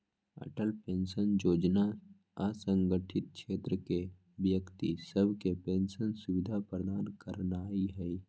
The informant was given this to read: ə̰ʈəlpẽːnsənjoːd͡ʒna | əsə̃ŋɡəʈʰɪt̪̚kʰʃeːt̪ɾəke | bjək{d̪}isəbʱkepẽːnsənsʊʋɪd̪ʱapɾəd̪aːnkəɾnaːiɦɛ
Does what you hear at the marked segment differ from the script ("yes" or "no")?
yes